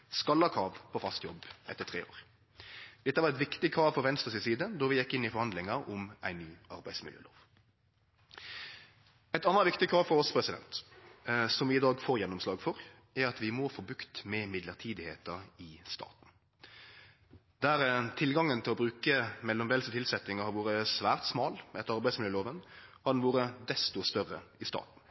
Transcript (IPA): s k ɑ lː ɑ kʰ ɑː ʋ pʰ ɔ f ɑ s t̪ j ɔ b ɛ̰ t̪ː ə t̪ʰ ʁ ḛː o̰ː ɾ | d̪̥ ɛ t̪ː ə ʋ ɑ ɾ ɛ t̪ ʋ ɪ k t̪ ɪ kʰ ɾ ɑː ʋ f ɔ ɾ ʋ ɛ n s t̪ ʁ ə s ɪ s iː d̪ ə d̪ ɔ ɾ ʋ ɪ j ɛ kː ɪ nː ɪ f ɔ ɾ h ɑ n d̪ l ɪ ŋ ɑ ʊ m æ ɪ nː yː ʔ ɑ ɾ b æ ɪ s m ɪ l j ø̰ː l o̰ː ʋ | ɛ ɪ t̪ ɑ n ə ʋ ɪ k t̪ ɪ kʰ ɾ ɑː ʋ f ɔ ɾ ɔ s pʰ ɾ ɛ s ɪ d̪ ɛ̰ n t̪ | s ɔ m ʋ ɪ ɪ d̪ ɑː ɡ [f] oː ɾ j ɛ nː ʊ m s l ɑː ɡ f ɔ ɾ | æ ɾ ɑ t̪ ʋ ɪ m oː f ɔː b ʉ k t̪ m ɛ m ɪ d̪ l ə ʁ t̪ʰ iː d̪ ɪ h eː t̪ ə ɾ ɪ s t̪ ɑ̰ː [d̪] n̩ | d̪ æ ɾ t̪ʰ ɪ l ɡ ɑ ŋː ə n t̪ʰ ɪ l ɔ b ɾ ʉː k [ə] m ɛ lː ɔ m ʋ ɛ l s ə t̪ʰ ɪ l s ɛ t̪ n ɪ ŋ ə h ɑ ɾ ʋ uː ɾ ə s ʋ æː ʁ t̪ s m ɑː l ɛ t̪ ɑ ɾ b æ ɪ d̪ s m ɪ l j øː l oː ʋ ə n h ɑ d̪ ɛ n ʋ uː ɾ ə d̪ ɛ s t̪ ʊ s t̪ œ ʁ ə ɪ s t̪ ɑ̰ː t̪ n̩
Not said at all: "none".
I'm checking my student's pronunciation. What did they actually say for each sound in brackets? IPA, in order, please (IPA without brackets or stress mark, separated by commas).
f, t̪, ə